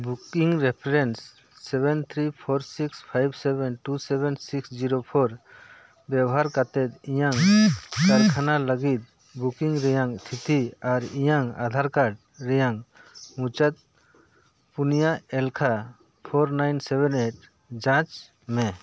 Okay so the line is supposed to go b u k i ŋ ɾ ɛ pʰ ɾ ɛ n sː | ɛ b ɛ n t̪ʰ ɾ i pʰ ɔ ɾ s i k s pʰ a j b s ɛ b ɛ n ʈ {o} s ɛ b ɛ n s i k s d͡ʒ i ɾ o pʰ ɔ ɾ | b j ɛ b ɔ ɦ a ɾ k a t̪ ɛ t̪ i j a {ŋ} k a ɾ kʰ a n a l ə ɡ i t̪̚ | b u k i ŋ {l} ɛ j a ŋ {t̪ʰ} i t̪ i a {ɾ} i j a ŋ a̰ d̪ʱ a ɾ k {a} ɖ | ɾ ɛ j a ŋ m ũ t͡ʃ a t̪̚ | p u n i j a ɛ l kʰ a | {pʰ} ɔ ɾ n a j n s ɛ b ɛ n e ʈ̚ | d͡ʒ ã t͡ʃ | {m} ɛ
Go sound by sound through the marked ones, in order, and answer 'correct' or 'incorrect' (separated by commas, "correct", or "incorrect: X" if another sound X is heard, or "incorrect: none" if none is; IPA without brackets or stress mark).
incorrect: u, correct, incorrect: ɾ, correct, correct, correct, correct, correct